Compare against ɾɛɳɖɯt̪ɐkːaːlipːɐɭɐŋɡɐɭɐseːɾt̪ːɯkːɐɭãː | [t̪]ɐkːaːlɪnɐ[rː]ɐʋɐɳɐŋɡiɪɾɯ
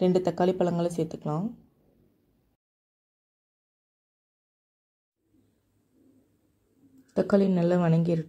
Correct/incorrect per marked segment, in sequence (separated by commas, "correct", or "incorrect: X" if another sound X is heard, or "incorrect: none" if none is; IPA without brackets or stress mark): correct, incorrect: lː